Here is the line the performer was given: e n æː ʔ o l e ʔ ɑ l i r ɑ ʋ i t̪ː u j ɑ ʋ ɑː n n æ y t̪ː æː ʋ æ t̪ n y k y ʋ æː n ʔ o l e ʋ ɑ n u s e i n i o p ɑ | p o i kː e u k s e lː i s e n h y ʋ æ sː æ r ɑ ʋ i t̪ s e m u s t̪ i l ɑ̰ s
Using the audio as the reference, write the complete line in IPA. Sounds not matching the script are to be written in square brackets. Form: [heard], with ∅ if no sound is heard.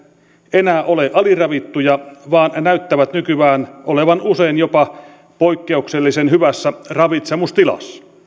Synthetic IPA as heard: e n æː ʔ o l e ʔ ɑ l i r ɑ ʋ i t̪ː u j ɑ ʋ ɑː n n æ y t̪ː [æ] ʋ æ t̪ n y k y ʋ æː n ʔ o l e ʋ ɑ n u s e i n [j] o p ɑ | p o i kː e u k s e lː i s e n h y ʋ æ sː æ r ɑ ʋ i t̪ s e m u s t̪ i l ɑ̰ s